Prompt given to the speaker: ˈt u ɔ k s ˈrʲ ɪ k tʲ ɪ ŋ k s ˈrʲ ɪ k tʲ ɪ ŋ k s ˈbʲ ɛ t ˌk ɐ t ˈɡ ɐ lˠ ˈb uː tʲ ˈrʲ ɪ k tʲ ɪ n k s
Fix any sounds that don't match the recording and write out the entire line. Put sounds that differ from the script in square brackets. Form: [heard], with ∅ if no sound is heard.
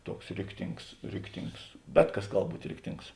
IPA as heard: ˈt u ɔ k s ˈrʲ ɪ k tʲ ɪ ŋ k s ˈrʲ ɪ k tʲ ɪ ŋ k s ˈbʲ ɛ t ˌk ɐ [s] ˈɡ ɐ lˠ ˈb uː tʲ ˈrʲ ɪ k tʲ ɪ [ŋ] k s